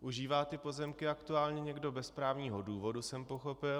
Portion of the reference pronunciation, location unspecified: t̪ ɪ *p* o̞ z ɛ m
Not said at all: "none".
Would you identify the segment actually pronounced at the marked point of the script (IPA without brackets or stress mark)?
p